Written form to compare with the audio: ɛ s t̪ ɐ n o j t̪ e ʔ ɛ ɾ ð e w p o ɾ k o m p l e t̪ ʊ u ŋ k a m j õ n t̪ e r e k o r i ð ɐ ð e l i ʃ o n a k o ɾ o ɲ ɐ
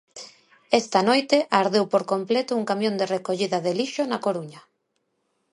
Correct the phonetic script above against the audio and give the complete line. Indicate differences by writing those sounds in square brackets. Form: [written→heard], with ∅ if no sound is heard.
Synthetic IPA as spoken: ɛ s t̪ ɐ n o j t̪ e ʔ [ɛ→a] ɾ ð e w p o ɾ k o m p l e t̪ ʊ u ŋ k a m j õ n [t̪→d̪] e r e k o [r→ʎ] i ð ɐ ð e l i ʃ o n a k o ɾ [o→u] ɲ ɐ